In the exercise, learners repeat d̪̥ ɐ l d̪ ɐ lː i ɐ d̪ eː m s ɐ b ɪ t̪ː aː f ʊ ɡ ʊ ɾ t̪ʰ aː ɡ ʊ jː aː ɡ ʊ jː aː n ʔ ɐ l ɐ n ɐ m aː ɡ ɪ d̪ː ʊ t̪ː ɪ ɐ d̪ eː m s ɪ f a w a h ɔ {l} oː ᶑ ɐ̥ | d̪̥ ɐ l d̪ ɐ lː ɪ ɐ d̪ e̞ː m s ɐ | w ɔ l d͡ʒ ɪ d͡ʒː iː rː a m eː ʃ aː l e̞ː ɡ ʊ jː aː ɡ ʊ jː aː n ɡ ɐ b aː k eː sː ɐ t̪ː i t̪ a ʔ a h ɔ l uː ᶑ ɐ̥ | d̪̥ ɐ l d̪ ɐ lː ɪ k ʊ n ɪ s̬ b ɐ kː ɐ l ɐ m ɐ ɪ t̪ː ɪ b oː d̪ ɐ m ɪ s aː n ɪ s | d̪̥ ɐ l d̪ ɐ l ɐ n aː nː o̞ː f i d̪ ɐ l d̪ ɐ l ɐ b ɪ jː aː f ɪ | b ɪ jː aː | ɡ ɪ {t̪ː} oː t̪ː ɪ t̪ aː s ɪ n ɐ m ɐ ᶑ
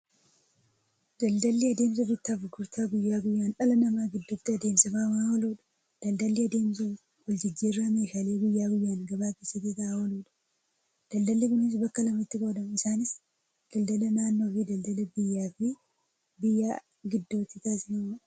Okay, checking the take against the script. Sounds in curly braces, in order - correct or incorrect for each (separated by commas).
correct, incorrect